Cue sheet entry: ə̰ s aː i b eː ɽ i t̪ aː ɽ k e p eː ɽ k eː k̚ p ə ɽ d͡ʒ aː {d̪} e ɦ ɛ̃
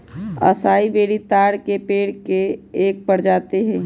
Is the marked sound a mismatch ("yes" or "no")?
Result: yes